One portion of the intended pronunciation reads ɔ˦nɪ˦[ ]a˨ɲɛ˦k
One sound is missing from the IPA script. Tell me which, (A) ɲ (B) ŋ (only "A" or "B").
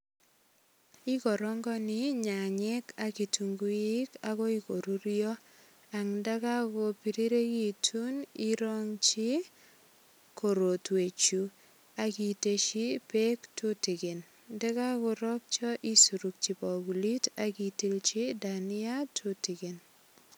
A